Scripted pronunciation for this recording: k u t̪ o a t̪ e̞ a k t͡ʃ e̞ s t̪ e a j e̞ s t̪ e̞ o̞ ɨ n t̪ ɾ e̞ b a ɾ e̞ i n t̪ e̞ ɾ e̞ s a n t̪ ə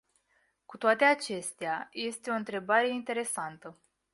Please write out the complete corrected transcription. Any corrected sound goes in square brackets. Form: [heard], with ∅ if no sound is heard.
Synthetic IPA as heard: k u t̪ o a t̪ e̞ a [∅] t͡ʃ e̞ s t̪ e a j e̞ s t̪ e̞ o̞ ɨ n t̪ ɾ e̞ b a ɾ e̞ i n t̪ e̞ ɾ e̞ s a n t̪ ə